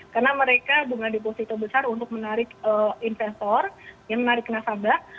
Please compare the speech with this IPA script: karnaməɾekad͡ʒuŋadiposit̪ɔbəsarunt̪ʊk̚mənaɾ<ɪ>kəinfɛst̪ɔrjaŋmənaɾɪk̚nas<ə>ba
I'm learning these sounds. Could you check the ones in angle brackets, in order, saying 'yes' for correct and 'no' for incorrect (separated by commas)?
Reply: yes, no